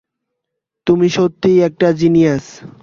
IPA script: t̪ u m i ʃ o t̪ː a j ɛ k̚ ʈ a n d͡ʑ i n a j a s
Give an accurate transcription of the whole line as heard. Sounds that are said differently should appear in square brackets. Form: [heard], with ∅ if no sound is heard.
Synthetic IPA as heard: t̪ u m i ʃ o t̪ː [i] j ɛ k̚ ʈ a [∅] d͡ʑ i n [i] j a s